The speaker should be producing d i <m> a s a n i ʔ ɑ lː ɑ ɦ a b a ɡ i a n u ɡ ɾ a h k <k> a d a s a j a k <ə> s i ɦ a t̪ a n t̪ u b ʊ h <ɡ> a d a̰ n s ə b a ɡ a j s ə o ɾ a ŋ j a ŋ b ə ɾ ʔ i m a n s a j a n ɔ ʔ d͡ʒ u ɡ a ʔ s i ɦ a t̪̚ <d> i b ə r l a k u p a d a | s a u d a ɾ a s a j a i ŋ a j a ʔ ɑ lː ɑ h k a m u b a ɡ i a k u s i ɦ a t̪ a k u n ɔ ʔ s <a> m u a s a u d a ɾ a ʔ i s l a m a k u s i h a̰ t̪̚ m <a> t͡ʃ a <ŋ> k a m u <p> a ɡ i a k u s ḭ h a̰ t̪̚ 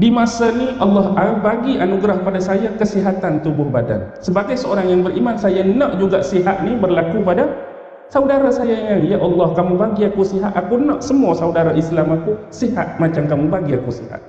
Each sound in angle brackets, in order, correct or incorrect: correct, incorrect, correct, incorrect, incorrect, incorrect, correct, incorrect, incorrect

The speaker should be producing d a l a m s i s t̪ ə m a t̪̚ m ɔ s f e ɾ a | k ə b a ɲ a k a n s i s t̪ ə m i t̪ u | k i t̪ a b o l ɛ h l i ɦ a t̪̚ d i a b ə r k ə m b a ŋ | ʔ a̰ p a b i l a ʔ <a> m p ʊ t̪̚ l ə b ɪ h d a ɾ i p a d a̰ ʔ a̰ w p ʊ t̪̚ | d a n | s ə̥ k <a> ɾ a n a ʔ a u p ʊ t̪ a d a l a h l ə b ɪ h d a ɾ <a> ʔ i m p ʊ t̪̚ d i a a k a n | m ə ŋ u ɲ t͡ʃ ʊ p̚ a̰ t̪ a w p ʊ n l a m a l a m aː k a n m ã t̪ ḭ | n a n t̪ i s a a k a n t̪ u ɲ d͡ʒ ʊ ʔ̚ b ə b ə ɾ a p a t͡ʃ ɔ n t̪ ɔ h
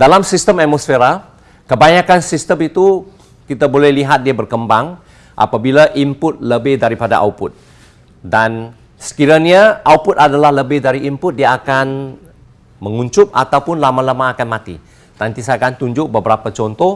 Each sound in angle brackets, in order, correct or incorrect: incorrect, incorrect, incorrect

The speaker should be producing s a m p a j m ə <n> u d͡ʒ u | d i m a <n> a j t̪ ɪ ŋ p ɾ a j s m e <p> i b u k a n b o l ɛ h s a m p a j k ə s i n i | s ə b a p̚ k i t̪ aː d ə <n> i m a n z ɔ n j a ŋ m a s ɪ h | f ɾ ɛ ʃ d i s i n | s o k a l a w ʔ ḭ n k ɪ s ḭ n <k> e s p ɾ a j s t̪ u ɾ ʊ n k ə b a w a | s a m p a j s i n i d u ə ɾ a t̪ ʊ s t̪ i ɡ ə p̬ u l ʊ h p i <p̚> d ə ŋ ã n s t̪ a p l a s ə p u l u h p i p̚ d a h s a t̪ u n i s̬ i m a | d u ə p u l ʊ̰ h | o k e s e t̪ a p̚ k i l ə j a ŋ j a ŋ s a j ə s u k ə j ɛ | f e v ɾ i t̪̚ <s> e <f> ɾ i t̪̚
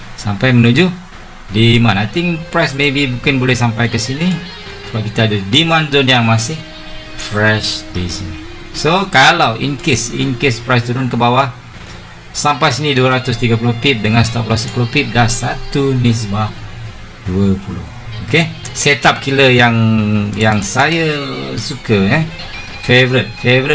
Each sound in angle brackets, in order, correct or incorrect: correct, correct, incorrect, incorrect, correct, correct, incorrect, incorrect

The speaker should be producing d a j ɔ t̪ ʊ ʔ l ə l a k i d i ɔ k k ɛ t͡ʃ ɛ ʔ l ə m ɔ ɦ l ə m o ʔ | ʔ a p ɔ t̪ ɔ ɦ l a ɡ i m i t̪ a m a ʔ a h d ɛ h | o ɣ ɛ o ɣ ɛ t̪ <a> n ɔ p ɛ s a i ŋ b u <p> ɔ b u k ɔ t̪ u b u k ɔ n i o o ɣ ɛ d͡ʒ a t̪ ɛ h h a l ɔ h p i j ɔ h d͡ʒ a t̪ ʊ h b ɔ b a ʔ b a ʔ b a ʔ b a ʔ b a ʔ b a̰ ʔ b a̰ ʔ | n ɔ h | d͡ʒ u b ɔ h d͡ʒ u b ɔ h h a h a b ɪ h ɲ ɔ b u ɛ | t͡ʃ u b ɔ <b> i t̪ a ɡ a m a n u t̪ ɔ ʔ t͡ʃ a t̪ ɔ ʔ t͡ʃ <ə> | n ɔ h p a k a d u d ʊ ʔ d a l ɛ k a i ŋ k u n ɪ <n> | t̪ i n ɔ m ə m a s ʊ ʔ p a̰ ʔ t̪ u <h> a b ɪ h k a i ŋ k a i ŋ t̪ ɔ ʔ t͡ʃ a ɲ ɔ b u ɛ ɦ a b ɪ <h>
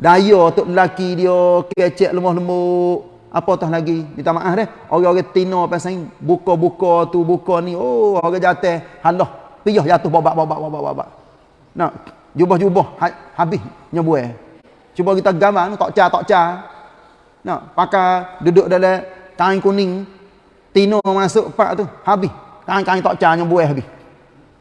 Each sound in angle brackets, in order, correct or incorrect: incorrect, incorrect, incorrect, incorrect, incorrect, correct, correct

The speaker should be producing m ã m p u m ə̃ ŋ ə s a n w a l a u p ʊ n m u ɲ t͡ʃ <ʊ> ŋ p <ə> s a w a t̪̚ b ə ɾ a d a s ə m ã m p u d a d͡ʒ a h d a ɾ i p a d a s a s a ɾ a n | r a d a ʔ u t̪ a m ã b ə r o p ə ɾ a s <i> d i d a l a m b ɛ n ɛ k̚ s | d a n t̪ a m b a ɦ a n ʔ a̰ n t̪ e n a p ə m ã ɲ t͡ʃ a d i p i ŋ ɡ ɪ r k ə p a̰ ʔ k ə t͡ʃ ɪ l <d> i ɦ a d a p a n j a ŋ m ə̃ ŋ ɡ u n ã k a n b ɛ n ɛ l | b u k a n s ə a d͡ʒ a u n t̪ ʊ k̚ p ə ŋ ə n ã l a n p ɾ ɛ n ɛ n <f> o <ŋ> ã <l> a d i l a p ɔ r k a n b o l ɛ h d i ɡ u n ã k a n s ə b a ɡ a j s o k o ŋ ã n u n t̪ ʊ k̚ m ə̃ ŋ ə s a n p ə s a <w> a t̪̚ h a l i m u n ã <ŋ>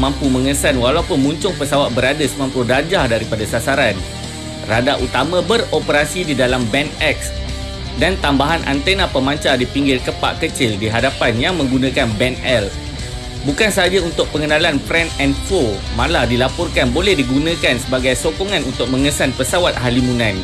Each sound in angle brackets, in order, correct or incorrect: correct, correct, correct, correct, correct, incorrect, correct, correct, incorrect

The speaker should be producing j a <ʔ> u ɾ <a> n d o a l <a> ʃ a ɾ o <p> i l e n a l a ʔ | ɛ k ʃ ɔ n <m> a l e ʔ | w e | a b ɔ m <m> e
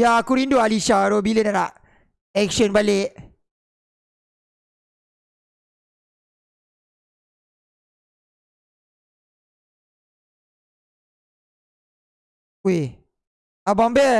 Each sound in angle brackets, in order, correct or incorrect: incorrect, incorrect, incorrect, incorrect, incorrect, incorrect

